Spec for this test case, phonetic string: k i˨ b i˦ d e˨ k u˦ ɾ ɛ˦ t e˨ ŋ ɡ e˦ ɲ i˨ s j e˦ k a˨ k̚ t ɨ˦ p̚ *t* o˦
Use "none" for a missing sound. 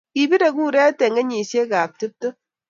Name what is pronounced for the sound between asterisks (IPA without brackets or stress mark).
t